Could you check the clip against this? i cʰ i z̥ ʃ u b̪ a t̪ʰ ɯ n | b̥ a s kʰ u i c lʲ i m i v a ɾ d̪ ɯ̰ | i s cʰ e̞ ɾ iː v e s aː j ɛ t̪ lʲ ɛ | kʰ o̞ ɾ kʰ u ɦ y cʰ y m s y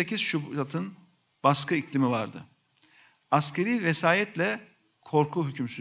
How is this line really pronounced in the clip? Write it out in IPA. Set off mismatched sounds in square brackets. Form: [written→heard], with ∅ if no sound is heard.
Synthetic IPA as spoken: [i→e] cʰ i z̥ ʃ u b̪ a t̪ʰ ɯ n | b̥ a s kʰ [u→ɯ] i c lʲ i m i v a ɾ d̪ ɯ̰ | [i→a] s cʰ e̞ ɾ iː v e s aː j ɛ t̪ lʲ ɛ | kʰ o̞ ɾ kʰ u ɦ y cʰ y m s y